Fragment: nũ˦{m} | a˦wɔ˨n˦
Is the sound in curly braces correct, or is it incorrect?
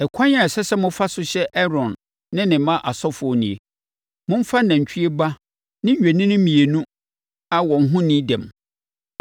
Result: incorrect